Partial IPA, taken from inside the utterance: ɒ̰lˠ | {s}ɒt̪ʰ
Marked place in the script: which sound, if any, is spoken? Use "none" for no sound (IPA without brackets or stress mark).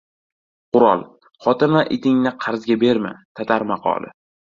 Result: χ